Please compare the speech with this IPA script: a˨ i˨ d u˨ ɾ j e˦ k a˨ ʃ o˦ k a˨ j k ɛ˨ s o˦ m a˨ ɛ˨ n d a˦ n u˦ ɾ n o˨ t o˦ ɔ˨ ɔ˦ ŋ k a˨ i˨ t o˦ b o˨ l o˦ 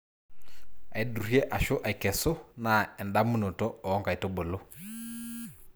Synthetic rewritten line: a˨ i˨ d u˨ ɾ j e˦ ʔ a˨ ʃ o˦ ʔ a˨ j k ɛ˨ s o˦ n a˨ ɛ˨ n d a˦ m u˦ n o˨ t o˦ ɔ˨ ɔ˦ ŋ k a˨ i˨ t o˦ b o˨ l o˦